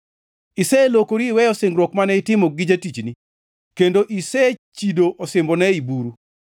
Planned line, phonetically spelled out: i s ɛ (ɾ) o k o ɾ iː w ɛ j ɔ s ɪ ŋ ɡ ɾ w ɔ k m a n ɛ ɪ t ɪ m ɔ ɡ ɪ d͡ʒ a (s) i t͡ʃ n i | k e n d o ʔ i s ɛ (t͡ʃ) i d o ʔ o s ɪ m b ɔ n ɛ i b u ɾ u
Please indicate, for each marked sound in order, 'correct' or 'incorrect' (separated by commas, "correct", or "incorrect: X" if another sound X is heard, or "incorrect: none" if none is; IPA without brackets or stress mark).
incorrect: l, incorrect: t, correct